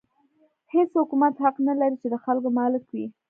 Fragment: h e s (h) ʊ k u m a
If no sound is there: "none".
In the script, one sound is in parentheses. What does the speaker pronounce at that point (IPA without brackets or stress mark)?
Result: h